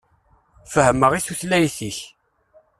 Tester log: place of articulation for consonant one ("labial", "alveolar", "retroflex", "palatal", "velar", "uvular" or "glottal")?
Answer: labial